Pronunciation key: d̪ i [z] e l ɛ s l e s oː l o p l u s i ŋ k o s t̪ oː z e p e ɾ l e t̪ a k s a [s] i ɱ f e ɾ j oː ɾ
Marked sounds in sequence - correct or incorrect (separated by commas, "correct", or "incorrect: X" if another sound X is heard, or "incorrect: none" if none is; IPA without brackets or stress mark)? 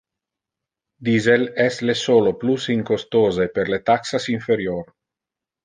correct, correct